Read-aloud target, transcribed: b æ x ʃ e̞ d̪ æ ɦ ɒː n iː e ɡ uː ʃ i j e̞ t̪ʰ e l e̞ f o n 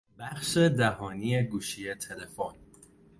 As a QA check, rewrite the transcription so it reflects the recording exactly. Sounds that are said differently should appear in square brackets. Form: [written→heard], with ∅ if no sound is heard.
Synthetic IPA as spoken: b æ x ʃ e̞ d̪ æ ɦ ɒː n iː e ɡ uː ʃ i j e̞ t̪ʰ e l e̞ f o n